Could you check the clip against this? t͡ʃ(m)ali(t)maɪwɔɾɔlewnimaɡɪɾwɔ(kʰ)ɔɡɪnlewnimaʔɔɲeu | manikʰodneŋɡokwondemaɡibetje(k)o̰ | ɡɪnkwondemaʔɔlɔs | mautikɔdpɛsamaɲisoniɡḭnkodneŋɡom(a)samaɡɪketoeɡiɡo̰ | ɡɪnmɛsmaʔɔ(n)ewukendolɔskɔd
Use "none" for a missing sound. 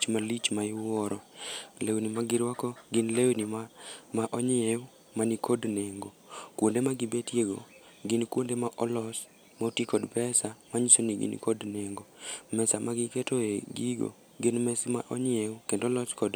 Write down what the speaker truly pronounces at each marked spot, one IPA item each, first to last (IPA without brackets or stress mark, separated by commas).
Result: m, t͡ʃ, k, ɡ, ɛ, ɲ